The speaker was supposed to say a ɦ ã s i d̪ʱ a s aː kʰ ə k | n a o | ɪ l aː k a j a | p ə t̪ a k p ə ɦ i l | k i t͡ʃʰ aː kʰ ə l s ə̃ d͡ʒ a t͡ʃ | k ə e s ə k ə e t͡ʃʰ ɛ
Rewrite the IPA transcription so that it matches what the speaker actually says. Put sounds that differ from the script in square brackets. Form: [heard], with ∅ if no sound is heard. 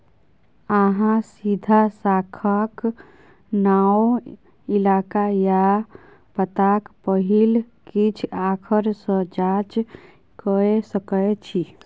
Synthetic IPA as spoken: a ɦ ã s i d̪ʱ a s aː kʰ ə k | n a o | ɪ l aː k a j a | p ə t̪ a k p ə ɦ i l | k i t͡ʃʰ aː kʰ ə [ɾ] s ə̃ d͡ʒ a t͡ʃ | k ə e s ə k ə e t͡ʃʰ [i]